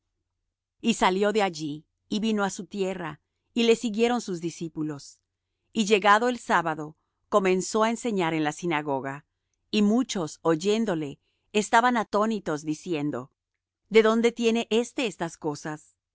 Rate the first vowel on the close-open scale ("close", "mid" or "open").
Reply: close